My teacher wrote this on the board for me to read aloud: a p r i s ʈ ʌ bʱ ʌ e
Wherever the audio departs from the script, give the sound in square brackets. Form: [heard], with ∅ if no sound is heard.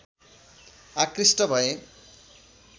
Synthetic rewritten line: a [k] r i s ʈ ʌ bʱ ʌ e